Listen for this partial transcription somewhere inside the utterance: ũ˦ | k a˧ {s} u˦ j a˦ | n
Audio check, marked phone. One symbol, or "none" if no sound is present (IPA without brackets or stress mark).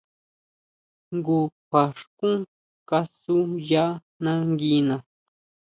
s